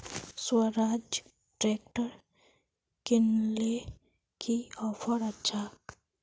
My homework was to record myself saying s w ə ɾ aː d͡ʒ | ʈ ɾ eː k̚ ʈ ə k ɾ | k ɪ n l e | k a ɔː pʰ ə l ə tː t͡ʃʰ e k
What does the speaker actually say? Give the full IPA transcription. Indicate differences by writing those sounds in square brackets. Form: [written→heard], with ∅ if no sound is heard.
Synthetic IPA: s w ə ɾ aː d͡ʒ | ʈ ɾ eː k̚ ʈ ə [k→∅] ɾ | k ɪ n l e | k [a→i] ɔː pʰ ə [l→ɾ] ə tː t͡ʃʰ [e→a] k